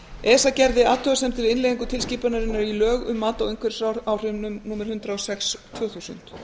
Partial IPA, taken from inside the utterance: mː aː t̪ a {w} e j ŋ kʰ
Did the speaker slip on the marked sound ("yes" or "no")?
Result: no